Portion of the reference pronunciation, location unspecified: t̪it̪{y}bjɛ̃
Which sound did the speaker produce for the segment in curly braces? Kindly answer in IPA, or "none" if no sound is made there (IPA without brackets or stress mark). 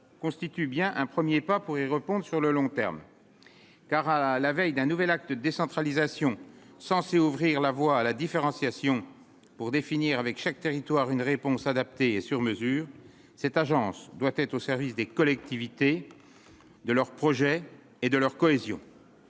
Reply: y